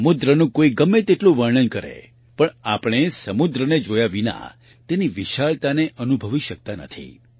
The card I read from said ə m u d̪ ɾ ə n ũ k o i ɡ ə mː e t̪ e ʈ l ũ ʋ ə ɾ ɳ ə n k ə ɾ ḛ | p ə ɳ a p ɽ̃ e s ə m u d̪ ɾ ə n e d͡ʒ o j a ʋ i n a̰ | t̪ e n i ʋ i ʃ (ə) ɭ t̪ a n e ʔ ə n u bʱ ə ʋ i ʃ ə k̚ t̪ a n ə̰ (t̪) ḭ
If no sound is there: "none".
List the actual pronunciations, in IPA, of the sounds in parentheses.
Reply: a, t̪ʰ

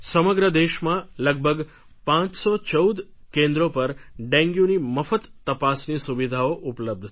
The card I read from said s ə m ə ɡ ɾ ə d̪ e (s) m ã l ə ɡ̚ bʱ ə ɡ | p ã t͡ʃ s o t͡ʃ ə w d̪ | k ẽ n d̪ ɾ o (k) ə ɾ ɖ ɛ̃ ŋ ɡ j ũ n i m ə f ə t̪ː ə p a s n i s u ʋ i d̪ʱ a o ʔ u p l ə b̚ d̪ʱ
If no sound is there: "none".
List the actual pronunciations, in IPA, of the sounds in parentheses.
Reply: ʃ, p

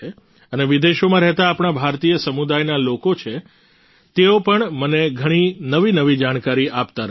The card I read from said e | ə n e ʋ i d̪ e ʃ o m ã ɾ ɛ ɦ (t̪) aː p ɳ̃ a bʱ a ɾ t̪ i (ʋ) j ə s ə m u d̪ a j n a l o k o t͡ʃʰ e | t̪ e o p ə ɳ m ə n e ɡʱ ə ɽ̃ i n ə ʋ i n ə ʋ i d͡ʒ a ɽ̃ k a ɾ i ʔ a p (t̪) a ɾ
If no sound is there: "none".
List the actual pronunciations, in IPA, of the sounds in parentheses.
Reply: t̪, none, t̪

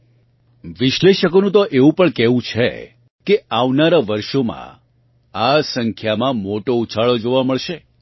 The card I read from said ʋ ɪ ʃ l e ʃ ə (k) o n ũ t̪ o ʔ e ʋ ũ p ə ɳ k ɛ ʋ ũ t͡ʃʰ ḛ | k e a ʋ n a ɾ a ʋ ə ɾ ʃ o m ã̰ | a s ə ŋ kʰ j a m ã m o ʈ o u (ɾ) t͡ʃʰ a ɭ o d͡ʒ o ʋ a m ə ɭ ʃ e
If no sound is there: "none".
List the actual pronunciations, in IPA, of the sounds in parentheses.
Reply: k, none

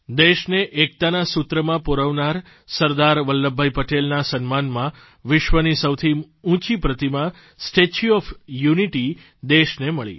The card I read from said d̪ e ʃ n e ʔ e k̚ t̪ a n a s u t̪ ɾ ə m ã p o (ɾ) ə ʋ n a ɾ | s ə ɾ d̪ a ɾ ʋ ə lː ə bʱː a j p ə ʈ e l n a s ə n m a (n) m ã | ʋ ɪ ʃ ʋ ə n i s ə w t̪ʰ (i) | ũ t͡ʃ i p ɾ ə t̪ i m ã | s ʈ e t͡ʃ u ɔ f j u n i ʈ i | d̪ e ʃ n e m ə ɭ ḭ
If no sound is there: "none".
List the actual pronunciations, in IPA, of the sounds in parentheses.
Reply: ɾ, n, i

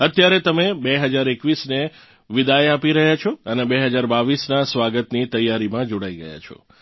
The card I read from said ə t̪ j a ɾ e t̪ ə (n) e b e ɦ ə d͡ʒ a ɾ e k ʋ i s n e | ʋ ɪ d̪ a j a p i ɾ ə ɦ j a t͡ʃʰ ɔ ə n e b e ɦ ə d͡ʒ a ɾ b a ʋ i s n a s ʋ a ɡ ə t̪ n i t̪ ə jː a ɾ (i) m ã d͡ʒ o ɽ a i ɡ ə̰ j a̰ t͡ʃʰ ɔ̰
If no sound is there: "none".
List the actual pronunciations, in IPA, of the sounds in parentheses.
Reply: m, i

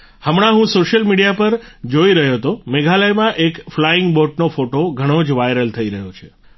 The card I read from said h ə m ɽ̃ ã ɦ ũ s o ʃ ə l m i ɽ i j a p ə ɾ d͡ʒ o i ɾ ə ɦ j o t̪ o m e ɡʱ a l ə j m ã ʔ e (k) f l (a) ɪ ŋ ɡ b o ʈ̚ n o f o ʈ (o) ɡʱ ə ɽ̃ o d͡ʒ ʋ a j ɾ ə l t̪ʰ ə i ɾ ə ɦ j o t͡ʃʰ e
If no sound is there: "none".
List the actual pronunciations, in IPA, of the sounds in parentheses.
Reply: k, a, o

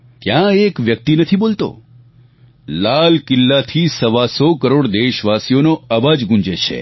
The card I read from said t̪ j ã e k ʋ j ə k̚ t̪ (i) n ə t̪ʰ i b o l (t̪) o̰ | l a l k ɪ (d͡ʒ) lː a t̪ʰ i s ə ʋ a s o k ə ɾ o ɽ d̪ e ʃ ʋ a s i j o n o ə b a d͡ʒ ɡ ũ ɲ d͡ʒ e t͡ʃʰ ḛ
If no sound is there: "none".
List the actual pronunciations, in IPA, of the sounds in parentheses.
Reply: i, t̪, none

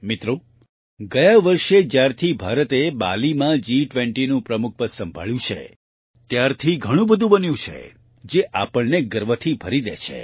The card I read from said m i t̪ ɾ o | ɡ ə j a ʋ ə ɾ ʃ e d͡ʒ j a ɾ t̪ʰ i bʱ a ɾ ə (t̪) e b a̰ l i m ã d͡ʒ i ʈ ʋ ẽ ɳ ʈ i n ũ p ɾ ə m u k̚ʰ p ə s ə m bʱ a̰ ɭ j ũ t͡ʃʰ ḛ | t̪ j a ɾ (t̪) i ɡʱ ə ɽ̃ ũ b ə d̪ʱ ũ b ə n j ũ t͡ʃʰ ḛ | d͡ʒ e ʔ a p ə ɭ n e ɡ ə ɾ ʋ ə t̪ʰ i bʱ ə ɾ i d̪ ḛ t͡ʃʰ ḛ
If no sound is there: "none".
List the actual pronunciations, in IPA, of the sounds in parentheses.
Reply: t̪, t̪ʰ

